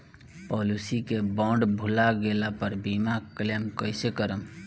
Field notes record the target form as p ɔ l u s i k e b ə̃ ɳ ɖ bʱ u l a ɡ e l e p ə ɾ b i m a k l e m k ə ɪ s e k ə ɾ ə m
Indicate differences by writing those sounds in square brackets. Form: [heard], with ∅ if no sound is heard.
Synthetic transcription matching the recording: p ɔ l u s i k e b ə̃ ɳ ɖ bʱ u l a ɡ e l [a] p ə ɾ b i m a k l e m k ə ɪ s e k ə ɾ ə m